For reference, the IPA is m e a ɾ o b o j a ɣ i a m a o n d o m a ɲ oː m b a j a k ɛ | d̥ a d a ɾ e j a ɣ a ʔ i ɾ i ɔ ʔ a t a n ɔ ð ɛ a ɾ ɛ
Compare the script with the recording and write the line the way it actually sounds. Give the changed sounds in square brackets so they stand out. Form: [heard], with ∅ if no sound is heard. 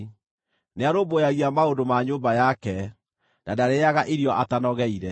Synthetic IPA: [n] e a ɾ o b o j a ɣ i a m a o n d o m a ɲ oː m b a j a k ɛ | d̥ a d a ɾ e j a ɣ a ʔ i ɾ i ɔ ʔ a t a n ɔ [ɣ] ɛ [i] ɾ ɛ